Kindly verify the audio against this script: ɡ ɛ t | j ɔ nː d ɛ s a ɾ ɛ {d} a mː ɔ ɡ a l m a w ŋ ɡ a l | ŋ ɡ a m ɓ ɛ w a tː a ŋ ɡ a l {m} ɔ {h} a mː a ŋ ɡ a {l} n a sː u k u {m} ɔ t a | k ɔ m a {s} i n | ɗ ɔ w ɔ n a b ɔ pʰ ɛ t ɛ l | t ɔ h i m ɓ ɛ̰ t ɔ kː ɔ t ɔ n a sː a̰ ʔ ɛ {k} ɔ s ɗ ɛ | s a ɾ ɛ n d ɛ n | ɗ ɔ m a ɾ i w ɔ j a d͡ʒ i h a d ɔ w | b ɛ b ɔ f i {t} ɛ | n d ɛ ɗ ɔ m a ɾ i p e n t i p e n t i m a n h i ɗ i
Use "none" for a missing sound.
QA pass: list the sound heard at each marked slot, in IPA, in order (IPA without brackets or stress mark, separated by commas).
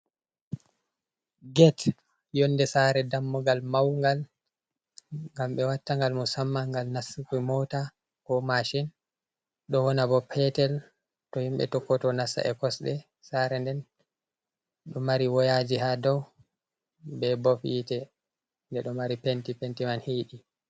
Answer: d, m, s, l, m, ʃ, k, t